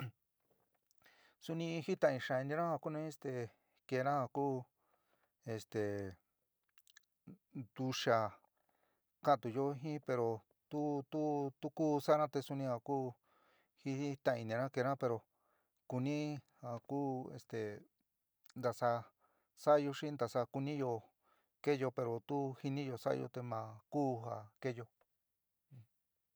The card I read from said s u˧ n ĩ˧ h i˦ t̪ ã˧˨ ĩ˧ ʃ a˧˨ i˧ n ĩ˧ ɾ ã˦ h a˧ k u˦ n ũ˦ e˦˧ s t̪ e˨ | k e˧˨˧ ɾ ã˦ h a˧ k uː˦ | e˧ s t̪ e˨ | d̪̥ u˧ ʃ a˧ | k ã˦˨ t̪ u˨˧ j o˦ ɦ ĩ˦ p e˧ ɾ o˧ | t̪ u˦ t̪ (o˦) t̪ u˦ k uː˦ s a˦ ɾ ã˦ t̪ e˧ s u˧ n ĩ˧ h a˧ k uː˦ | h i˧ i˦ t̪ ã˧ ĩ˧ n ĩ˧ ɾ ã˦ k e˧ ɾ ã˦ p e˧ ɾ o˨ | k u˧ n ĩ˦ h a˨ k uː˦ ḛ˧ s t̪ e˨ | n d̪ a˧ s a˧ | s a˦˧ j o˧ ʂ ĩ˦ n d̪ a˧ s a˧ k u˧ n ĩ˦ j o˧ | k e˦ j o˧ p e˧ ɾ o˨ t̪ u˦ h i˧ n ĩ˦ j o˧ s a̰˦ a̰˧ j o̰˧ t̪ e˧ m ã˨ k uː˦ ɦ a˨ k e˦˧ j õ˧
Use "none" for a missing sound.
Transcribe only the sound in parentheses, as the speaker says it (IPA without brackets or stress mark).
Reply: u˦